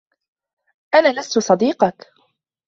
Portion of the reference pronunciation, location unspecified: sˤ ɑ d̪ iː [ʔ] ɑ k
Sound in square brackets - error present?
yes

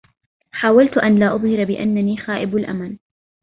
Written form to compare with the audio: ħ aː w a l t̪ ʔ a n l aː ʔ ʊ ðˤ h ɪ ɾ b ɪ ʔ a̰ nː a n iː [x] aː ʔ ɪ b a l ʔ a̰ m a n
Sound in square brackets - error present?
no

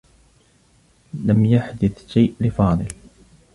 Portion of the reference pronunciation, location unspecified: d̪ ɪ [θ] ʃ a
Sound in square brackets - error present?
no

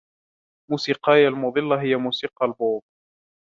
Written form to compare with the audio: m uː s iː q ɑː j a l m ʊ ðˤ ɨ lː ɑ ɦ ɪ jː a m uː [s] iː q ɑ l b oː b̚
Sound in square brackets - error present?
no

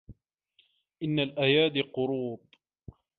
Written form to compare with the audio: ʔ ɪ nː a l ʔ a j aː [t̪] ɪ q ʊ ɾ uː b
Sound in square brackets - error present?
yes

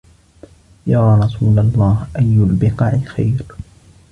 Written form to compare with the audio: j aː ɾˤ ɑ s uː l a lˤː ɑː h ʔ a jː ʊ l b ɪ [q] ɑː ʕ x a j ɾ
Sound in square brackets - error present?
no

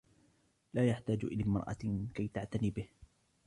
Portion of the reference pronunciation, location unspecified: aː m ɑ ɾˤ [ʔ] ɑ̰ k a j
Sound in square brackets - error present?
no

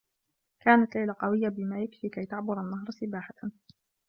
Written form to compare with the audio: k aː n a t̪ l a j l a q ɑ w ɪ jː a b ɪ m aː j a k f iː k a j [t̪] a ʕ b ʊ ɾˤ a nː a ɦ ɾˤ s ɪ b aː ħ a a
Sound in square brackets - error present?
no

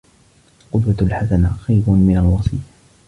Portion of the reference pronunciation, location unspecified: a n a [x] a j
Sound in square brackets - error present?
no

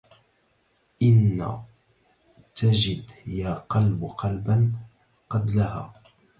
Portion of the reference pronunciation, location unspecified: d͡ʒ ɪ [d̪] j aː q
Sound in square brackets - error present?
no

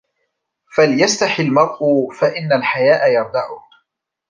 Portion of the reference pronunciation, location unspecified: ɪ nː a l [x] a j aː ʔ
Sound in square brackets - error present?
yes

